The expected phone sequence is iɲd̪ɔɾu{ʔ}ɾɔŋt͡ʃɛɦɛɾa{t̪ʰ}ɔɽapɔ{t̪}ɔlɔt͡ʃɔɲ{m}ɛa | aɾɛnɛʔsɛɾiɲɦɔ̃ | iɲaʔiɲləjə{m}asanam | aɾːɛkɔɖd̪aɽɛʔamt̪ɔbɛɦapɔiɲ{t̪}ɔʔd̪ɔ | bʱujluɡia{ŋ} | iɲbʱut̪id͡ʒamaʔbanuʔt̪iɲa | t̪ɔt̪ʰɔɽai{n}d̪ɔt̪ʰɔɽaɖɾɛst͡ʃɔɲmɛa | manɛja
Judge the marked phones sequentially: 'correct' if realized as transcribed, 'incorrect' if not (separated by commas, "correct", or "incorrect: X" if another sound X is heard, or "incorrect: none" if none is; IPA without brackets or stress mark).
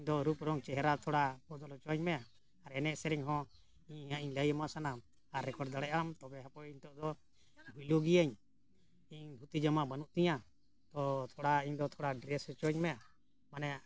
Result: incorrect: p, correct, incorrect: d̪, correct, correct, correct, incorrect: ɲ, incorrect: ɲ